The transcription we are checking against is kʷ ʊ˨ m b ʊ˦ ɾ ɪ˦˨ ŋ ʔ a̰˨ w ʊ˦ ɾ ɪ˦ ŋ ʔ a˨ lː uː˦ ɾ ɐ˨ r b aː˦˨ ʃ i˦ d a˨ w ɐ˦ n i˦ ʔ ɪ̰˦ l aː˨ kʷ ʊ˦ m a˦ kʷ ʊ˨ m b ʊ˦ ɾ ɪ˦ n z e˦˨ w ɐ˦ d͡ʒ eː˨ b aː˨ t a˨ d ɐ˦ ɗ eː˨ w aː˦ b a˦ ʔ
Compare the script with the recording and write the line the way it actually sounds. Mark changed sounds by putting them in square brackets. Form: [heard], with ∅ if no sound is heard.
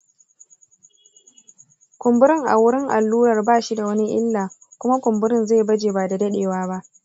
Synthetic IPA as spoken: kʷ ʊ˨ m b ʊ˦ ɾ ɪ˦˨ ŋ ʔ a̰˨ w ʊ˦ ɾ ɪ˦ ŋ ʔ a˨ lː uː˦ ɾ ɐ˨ r b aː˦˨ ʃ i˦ d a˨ w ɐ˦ n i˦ ʔ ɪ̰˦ [lː] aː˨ kʷ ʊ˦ m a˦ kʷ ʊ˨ m b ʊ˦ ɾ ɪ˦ n z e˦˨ [b] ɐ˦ d͡ʒ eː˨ b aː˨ [d] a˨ d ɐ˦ ɗ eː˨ w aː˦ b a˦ ʔ